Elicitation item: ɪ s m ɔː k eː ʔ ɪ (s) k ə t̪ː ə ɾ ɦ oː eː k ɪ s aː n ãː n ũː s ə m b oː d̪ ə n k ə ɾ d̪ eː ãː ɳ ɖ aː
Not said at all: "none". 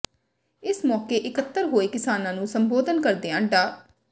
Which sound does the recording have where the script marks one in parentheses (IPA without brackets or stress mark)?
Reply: none